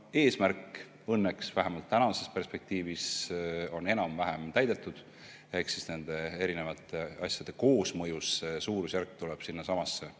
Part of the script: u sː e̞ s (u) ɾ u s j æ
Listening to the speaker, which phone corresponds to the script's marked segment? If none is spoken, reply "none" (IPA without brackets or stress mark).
uː